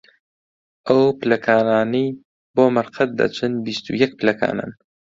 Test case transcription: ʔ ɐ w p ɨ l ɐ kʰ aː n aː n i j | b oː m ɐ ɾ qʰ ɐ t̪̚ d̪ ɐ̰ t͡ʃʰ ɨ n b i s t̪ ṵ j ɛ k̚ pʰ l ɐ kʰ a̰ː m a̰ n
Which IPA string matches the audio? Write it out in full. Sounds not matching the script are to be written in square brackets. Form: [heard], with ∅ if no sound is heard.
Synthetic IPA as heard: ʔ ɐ w p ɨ l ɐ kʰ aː n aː n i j | b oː m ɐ ɾ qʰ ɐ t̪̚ d̪ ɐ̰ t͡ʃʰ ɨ n b i s t̪ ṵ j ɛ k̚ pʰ l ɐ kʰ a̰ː [n] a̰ n